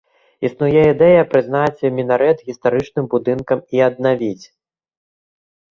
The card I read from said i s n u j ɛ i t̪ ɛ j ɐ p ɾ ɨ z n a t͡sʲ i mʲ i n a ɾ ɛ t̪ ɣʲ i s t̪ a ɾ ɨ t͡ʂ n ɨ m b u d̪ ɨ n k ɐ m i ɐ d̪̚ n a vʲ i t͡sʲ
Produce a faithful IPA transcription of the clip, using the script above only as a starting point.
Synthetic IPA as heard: i s n u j ɛ i d̪ ɛ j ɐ p ɾ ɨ z n a t͡sʲ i mʲ i n a ɾ ɛ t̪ ɣʲ i s t̪ a ɾ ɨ t͡ʂ n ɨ m b u d̪ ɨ n k ɐ m i ɐ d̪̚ n a vʲ i t͡sʲ